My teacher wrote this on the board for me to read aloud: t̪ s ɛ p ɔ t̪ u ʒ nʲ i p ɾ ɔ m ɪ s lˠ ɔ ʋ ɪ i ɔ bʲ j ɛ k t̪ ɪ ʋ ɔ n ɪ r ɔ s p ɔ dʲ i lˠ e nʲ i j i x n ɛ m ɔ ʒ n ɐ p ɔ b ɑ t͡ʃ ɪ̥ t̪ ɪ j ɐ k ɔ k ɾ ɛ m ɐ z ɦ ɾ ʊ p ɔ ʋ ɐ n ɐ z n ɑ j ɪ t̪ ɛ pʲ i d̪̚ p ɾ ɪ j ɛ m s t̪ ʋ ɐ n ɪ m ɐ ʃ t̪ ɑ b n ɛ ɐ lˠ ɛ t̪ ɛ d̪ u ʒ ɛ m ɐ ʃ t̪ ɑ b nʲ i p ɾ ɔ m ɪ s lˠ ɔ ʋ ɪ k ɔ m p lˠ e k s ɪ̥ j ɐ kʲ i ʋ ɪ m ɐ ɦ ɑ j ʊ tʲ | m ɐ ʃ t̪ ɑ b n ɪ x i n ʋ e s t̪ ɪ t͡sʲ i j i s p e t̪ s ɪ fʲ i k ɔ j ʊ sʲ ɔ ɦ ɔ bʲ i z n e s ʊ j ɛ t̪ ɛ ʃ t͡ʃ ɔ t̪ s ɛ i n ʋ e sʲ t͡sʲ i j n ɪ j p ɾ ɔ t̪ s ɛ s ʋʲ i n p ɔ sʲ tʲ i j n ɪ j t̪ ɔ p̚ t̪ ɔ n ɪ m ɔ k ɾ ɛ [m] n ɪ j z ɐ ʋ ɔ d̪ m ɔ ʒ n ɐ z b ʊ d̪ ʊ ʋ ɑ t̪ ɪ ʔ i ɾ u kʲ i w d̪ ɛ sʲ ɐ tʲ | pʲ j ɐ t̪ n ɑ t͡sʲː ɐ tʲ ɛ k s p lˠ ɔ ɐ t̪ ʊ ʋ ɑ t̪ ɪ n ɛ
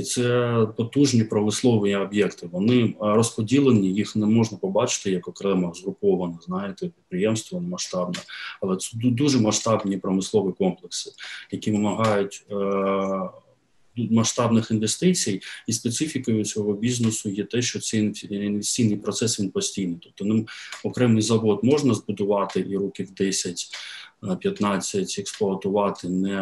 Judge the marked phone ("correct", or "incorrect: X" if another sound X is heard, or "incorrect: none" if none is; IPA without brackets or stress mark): correct